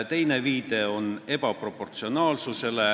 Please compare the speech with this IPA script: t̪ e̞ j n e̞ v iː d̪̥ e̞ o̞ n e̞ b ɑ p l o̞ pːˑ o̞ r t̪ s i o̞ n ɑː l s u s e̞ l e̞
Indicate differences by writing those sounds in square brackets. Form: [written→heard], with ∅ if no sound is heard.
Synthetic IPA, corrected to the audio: t̪ e̞ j n e̞ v iː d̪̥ e̞ o̞ n e̞ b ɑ p [l→r] o̞ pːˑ o̞ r t̪ s i o̞ n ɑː l s u s e̞ l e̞

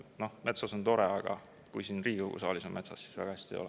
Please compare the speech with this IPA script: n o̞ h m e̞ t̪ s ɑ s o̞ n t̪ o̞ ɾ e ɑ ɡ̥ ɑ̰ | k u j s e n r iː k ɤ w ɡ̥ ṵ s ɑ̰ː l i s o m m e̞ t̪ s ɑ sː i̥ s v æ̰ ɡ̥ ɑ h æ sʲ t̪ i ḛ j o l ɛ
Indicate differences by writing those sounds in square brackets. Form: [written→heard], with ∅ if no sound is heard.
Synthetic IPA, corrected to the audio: n o̞ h m e̞ t̪ s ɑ s o̞ n t̪ o̞ ɾ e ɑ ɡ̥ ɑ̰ | k u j s [e→i] n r iː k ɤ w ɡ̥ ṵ s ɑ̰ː l i s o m m e̞ t̪ s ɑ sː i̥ s v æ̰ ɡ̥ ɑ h æ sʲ t̪ i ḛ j o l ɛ

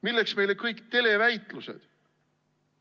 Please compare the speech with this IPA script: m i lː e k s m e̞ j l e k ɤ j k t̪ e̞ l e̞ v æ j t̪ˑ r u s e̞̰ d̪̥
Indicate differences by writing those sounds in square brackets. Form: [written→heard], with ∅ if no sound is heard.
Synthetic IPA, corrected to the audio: m i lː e k s m e̞ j l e k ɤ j k t̪ e̞ l e̞ v æ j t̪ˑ [r→l] u s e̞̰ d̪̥

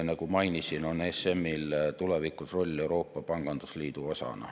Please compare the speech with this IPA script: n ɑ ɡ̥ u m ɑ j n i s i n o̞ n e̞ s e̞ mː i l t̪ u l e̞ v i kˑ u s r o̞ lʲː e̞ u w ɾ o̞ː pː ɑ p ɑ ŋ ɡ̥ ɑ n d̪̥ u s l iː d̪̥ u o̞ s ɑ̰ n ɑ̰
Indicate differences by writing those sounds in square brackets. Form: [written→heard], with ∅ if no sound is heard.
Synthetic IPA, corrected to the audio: n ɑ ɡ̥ u m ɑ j n i s i n o̞ n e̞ s e̞ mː i l t̪ u l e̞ v i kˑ u s r o̞ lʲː e̞ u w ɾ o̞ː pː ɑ p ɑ ŋ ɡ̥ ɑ n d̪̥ u s l iː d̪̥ u o̞ s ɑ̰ n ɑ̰

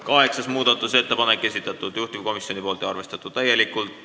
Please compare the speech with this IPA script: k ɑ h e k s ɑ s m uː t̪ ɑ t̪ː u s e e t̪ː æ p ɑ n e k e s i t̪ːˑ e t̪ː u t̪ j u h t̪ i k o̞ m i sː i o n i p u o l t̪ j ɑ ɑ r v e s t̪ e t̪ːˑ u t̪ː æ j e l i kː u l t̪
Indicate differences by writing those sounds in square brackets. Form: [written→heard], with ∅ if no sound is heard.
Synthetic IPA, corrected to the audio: k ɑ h e k s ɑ s m uː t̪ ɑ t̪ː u s e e t̪ː æ p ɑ n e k e s i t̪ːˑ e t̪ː u t̪ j u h t̪ i k o̞ m i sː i o n i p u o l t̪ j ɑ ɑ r [v→ʋ] e s t̪ e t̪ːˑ u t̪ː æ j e l i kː u l t̪

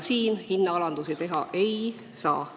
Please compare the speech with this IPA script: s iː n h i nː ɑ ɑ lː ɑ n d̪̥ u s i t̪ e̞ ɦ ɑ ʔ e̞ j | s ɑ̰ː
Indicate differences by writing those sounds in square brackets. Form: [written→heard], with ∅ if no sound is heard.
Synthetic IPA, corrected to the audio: s iː n h i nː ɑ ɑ [lː→l] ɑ n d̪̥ u s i t̪ e̞ ɦ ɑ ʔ e̞ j | s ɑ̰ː

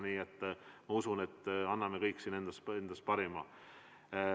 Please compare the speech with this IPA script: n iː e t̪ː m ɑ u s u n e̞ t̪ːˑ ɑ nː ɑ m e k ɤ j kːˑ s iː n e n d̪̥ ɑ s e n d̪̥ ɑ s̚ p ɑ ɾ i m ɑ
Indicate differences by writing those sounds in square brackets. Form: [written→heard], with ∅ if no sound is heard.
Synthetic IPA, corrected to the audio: n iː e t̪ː m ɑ u s u n e̞ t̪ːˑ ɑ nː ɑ m e k ɤ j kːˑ s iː n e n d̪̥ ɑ s e n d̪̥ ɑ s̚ p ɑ ɾ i m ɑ

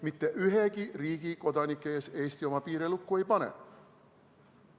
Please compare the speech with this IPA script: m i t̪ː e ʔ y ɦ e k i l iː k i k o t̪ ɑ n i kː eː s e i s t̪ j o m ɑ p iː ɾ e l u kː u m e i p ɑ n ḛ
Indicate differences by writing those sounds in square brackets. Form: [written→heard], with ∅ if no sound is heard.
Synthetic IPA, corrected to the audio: m i t̪ː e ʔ y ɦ e k i [l→r] iː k i k o t̪ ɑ n i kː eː s e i s t̪ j o m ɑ p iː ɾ e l u kː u [m→∅] e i p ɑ n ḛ

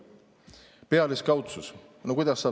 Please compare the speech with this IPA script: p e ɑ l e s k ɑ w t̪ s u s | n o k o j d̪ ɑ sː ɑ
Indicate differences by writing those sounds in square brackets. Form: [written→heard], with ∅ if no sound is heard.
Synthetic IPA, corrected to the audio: p e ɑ l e s k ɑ w t̪ s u s | n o k [o→u] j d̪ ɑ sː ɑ

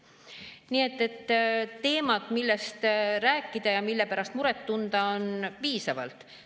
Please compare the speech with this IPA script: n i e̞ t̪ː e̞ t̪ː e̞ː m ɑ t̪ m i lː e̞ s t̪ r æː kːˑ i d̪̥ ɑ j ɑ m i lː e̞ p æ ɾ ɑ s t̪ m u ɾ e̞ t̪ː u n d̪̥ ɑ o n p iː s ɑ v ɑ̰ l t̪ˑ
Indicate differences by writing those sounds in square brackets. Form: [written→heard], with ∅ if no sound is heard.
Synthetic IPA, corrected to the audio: n i e̞ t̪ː e̞ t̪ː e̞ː m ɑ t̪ m i lː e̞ s t̪ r æː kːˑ i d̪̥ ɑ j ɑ m i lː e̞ p æ ɾ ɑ s t̪ m u ɾ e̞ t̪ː u n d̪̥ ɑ o n p iː s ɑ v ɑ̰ l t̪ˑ

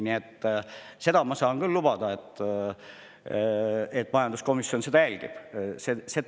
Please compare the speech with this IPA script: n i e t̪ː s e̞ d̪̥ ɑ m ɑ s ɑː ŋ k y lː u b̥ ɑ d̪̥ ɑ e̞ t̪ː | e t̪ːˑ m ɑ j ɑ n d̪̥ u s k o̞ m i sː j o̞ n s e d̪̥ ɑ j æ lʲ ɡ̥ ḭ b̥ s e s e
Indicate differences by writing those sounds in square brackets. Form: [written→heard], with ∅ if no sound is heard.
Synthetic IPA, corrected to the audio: n i e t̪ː s e̞ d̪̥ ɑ m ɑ s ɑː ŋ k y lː u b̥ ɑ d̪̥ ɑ e̞ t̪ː | e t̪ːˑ m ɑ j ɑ n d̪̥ u s k o̞ m i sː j o̞ n s e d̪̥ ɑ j æ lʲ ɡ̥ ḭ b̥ s e s e

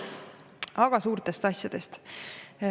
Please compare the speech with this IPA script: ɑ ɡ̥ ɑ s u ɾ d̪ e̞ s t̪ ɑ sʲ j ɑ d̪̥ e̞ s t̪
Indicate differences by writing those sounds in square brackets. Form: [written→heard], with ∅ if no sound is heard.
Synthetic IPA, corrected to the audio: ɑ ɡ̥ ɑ s [u→uː] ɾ [d̪→t̪] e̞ s t̪ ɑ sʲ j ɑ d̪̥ e̞ s t̪

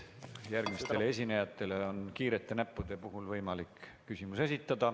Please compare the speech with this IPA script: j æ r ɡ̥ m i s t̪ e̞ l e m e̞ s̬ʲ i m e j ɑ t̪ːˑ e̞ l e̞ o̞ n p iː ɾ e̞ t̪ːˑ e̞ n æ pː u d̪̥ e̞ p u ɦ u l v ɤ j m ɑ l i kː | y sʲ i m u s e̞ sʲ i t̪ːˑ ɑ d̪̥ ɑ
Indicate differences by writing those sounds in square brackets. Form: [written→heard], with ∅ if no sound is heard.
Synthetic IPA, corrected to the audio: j æ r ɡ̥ m i s t̪ e̞ l e [m→∅] e̞ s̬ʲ i [m→n] e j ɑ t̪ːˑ e̞ l e̞ o̞ n [p→k] iː ɾ e̞ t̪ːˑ e̞ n æ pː u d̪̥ e̞ p u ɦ u l v ɤ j m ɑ l i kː | y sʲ i m u s e̞ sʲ i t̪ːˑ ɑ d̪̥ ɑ

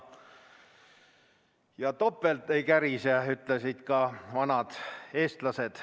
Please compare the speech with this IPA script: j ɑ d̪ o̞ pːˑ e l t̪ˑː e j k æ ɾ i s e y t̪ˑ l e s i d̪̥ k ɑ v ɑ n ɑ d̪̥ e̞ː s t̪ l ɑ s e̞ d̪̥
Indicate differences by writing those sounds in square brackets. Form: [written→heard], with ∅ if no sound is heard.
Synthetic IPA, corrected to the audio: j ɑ [d̪→t̪] o̞ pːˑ e l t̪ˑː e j k æ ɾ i s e y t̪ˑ l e s i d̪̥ k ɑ v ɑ n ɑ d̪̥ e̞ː s t̪ l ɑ s e̞ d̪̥

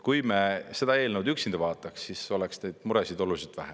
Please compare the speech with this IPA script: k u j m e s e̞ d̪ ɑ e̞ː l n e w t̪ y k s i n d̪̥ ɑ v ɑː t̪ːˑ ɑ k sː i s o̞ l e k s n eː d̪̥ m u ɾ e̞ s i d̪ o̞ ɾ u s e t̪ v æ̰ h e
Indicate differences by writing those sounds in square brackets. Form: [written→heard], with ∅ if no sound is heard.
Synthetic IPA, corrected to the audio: k u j m e s e̞ d̪ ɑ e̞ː l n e w [t̪→d̪] y k s i n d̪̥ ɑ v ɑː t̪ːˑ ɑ k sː i s o̞ l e k s n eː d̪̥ m u ɾ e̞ s i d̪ o̞ [ɾ→l] u s [e→i] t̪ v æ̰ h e

